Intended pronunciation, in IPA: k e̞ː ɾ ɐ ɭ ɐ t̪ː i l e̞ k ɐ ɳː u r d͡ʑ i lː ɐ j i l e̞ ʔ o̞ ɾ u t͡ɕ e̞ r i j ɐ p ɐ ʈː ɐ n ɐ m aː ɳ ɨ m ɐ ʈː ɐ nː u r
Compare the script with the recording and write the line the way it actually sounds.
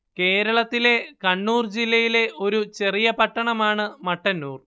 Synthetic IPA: k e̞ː ɾ ɐ ɭ ɐ t̪ː i l e̞ k ɐ ɳː uː r d͡ʑ i lː ɐ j i l e̞ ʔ o̞ ɾ u t͡ɕ e̞ r i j ɐ p ɐ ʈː ɐ ɳ ɐ m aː ɳ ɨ m ɐ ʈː ɐ nː uː r